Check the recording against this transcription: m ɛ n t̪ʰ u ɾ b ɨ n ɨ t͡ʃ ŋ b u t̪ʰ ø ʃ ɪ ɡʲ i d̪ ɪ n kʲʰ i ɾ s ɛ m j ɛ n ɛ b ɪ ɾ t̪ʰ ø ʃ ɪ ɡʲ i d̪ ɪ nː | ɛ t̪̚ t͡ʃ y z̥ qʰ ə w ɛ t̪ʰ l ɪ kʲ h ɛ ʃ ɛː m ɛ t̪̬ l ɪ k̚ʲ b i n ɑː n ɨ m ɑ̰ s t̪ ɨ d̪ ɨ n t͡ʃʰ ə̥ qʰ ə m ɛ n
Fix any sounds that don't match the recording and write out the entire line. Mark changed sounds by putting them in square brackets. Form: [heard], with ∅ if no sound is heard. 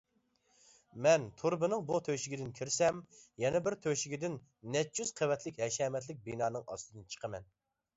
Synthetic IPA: m ɛ n t̪ʰ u ɾ b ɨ n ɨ [∅] ŋ b u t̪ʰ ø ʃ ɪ ɡʲ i d̪ ɪ n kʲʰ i ɾ s ɛ m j ɛ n ɛ b ɪ ɾ t̪ʰ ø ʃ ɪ ɡʲ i d̪ ɪ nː | ɛ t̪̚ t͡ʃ y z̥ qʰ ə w ɛ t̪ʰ l ɪ kʲ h ɛ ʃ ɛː m ɛ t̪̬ l ɪ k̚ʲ b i n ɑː n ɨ [ŋ] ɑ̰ s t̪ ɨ d̪ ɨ n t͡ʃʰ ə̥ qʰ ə m ɛ n